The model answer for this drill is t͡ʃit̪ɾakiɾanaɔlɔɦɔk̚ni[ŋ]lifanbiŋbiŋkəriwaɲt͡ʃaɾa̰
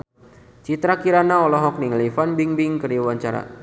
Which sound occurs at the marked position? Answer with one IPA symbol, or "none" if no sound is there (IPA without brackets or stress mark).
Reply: ŋ